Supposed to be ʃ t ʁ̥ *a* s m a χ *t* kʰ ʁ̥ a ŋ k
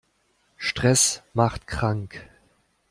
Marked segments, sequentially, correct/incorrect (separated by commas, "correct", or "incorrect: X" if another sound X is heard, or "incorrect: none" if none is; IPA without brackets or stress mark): incorrect: ɛ, correct